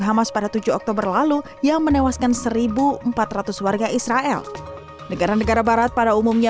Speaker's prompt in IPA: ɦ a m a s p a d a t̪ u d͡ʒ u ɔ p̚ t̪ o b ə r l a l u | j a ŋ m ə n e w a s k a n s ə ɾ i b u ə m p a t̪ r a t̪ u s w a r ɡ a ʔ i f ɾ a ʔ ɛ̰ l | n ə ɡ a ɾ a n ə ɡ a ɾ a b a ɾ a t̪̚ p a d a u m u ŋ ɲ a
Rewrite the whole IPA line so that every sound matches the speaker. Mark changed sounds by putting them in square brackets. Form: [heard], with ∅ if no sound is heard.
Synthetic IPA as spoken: ɦ a m a s p a d a t̪ u d͡ʒ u ɔ [k̚] t̪ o b ə r l a l u | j a ŋ m ə n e w a s k a n s ə ɾ i b u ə m p a t̪ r a t̪ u s w a r ɡ a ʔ i [s] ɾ a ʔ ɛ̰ l | n ə ɡ a ɾ a n ə ɡ a ɾ a b a ɾ a t̪̚ p a d a u m u [m] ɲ a

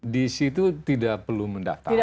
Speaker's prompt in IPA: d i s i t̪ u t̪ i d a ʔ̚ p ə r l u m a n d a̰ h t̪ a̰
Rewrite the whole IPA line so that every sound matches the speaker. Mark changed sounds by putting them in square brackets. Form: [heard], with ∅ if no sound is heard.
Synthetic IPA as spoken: d i s i t̪ u t̪ i d a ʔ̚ p ə r l u m [ə] n d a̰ [f] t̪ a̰

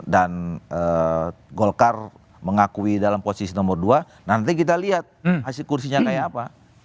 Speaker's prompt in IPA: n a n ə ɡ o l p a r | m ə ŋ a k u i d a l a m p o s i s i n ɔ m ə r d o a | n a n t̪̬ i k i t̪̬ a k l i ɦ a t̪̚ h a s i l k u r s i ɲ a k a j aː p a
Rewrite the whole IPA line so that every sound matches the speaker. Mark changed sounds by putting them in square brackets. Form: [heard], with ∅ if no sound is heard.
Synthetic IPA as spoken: [d] a n ə ɡ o l [k] a r | m ə ŋ a k u i d a l a m p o s i s i n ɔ m ə r d [u] a | n a n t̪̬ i k i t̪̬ a [∅] l i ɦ a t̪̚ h a s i l k u r s i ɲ a k a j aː p a

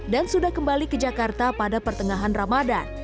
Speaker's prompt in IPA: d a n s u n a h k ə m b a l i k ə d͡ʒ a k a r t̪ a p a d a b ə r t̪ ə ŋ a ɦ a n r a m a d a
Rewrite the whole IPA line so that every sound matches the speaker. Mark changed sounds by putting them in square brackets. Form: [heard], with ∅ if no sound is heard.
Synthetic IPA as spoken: d a n s u [d] a h k ə m b a l i k ə d͡ʒ a k a r t̪ a p a d a [p] ə r t̪ ə ŋ a ɦ a n r a m a d a

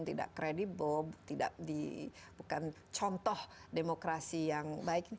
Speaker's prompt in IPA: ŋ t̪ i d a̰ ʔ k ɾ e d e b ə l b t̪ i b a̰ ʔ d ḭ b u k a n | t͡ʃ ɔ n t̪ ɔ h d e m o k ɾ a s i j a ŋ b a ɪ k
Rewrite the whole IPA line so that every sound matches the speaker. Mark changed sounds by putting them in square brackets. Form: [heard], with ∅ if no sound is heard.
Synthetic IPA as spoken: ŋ t̪ i d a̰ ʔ k ɾ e d [i] b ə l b t̪ i [d] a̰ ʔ d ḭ b u k a n | t͡ʃ ɔ n t̪ ɔ h d e m o k ɾ a s i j a ŋ b a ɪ k

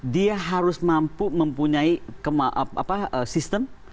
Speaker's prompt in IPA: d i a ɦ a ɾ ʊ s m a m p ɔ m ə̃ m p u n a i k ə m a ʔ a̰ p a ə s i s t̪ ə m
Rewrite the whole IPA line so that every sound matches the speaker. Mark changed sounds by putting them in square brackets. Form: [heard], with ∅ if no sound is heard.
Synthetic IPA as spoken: d i a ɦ a ɾ ʊ s m a m p [u] m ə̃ m p u [ɲ] a i k ə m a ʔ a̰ p a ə s i s t̪ ə m

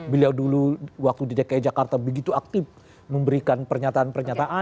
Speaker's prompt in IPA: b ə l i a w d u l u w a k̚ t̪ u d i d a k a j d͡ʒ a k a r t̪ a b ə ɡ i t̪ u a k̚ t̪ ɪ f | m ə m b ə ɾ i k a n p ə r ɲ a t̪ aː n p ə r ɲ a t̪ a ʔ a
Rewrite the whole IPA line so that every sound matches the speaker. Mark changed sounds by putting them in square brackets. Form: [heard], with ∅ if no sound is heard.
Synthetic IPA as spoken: b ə l i a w d u l u w a k̚ t̪ u d i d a k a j d͡ʒ a k a r t̪ a b ə ɡ i t̪ u a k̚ t̪ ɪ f | m ə m b ə ɾ i k a n p ə r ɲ a t̪ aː n p ə r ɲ a t̪ a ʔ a

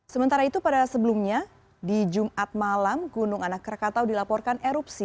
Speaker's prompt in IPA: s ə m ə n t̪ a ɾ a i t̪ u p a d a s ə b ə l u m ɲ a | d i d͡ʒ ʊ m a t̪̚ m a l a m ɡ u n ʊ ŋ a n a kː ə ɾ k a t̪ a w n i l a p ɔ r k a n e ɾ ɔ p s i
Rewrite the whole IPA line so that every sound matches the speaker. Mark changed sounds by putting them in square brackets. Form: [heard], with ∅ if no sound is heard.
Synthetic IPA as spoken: s ə m ə n t̪ a ɾ a i t̪ u p a d a s ə b ə l u m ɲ a | d i d͡ʒ [u] m a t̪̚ m a l a m ɡ u n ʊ ŋ a n a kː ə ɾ k a t̪ a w [d] i l a p ɔ r k a n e ɾ [u] p s i

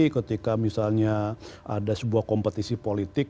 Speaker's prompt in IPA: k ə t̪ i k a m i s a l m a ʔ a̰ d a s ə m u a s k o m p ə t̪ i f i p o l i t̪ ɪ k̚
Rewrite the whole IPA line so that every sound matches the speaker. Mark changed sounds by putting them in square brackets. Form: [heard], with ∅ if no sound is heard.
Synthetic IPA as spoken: k ə t̪ i k a m i s a l [ɲ] a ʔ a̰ d a s ə [b] u a [h] k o m p ə t̪ i [s] i p o l i t̪ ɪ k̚

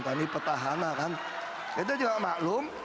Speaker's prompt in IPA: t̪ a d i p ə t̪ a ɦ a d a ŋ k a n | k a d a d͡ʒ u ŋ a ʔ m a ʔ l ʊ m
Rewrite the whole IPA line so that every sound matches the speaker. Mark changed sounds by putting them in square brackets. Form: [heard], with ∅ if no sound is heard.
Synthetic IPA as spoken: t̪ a [n] i p ə t̪ a ɦ a [n] a [∅] k a n | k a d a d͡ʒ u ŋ a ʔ m a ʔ l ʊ m

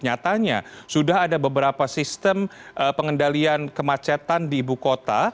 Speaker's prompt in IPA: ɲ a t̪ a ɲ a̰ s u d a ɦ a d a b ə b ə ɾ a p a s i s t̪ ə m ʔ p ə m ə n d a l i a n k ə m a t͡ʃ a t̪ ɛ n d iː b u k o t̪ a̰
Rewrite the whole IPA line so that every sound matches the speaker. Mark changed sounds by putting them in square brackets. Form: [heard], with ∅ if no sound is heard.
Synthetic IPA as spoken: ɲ a t̪ a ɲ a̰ s u d a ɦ a d a b ə b ə ɾ a p a s i s t̪ ə m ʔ p ə [ŋ] ə n d a l i a n k ə m a t͡ʃ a t̪ [a] n d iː b u k o t̪ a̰

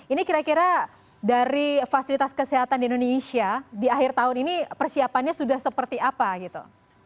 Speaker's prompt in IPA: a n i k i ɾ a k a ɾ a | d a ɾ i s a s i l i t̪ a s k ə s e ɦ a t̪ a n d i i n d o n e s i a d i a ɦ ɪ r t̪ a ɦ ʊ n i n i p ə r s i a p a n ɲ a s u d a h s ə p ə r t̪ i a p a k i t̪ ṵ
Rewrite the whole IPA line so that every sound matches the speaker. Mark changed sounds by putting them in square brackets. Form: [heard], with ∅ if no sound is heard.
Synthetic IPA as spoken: [i] n i k i ɾ a k [i] ɾ a | d a ɾ i [f] a s i l i t̪ a s k ə s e ɦ a t̪ a n d i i n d o n e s i a d i a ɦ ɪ r t̪ a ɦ ʊ n i n i p ə r s i a p a n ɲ a s u d a h s ə p ə r t̪ i a p a [ɡ] i t̪ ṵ

